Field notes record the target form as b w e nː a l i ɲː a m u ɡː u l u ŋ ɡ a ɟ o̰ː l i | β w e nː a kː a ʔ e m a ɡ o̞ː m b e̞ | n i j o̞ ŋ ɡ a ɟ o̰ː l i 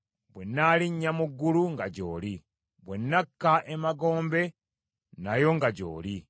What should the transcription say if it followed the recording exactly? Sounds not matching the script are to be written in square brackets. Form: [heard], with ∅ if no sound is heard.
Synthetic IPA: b w e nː a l i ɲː a m u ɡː u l u ŋ ɡ a ɟ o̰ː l i | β w e nː a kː a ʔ e m a ɡ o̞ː m b e̞ | n [a] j o̞ ŋ ɡ a ɟ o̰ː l i